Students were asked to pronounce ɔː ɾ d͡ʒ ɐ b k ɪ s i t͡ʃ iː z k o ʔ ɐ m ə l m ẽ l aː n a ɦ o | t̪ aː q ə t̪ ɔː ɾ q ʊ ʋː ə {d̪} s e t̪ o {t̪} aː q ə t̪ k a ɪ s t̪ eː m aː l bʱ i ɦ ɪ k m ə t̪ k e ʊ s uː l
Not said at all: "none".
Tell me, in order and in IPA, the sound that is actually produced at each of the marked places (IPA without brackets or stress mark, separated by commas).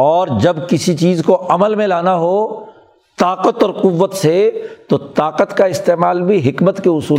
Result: t̪, t̪